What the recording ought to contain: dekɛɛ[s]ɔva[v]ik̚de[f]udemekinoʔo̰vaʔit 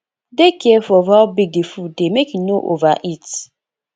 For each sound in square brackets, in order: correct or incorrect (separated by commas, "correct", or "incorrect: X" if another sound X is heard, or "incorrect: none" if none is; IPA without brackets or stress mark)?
incorrect: f, incorrect: b, correct